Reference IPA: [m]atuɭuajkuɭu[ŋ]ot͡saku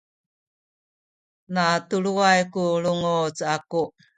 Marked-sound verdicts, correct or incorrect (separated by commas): incorrect, correct